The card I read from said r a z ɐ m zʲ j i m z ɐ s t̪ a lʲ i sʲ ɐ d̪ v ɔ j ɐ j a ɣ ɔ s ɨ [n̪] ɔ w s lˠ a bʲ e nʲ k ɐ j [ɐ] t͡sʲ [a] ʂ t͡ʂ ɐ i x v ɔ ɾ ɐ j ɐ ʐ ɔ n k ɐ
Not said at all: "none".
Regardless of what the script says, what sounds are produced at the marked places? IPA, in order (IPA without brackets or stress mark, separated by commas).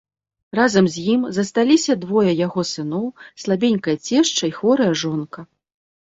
n̪, ɐ, ɛ